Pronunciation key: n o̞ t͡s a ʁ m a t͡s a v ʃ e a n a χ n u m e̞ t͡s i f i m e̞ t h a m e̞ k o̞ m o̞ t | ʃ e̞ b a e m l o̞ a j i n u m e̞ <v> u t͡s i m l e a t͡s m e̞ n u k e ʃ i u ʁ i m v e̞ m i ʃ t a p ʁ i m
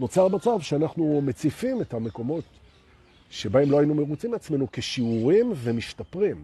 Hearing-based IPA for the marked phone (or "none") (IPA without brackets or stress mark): ʁ